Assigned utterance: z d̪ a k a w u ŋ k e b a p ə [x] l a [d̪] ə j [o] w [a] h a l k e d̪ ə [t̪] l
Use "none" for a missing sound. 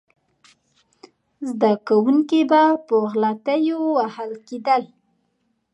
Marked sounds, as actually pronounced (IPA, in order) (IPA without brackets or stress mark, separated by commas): ɣ, t̪, o, a, none